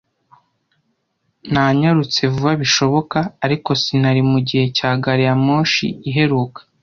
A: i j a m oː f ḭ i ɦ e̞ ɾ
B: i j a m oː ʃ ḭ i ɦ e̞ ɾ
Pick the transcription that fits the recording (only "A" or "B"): B